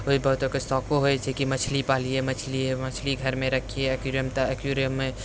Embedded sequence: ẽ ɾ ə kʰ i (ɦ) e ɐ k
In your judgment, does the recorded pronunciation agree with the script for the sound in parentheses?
no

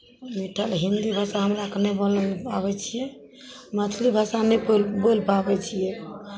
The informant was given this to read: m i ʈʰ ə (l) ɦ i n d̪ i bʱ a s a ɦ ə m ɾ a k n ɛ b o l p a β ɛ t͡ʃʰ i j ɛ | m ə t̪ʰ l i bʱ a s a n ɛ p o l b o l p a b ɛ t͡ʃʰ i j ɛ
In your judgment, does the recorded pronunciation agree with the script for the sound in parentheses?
yes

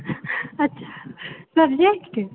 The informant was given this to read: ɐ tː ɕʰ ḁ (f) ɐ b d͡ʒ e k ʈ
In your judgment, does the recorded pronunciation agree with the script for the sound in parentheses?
no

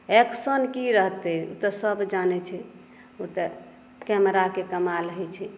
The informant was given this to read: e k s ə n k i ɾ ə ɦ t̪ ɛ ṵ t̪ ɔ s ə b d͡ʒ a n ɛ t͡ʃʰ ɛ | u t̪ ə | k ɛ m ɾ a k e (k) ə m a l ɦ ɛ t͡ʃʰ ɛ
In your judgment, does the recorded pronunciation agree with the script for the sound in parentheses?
yes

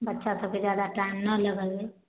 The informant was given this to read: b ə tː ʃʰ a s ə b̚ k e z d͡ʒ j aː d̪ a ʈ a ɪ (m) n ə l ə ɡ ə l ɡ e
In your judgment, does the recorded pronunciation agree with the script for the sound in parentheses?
yes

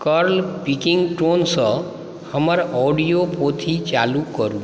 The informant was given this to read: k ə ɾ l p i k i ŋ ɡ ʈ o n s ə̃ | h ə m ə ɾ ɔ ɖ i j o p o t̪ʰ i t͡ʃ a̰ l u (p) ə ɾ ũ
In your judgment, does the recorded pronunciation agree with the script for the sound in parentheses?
no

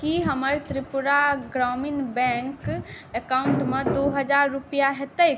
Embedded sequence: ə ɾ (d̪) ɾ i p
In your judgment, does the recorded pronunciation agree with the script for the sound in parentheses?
no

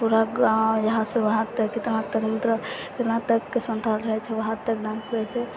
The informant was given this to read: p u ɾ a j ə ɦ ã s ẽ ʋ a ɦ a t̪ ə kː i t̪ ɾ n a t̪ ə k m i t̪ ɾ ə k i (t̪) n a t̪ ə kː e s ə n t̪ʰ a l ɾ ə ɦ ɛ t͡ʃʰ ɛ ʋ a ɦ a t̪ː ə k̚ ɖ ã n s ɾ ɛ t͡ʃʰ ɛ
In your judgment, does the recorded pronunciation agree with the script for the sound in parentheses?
yes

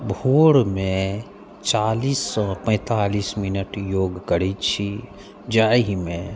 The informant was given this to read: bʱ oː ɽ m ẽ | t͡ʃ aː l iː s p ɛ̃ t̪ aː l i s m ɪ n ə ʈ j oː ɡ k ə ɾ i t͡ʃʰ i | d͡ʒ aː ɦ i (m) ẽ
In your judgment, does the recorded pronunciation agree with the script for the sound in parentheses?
yes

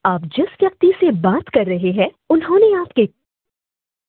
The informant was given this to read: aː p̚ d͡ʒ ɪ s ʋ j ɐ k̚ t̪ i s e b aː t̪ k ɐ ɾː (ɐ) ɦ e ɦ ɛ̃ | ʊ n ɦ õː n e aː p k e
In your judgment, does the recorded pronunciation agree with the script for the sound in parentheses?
yes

